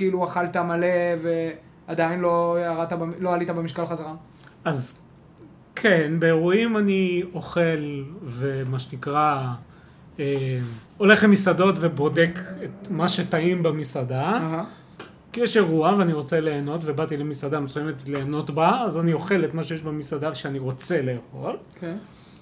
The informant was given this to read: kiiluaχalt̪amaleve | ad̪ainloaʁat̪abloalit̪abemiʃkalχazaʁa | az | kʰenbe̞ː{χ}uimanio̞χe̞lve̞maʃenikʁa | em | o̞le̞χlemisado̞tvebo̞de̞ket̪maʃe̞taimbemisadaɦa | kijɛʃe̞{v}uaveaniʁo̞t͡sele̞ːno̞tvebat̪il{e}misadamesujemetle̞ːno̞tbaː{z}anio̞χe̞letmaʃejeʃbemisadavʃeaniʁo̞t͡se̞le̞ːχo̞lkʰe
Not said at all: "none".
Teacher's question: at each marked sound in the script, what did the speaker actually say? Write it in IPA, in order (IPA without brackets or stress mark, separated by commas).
ʁ, ʁ, e, z